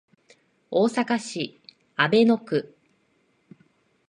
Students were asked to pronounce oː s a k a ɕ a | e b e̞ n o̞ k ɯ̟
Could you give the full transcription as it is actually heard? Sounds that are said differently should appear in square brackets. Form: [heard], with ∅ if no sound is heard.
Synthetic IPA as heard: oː s a k a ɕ [i] | [a] b e̞ n o̞ k ɯ̟